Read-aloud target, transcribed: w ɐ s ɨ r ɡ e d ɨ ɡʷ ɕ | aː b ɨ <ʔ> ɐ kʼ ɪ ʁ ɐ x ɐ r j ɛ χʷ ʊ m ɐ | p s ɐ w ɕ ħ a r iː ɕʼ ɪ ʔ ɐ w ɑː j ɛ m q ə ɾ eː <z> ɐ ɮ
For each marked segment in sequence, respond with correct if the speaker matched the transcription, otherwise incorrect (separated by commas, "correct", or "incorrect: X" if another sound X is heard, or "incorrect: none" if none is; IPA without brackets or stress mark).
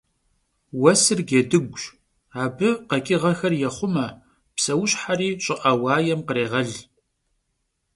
incorrect: q, incorrect: ʁ